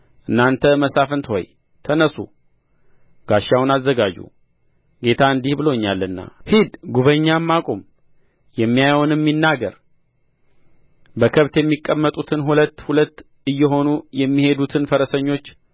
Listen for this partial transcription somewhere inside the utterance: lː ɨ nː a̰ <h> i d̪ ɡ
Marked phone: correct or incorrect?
correct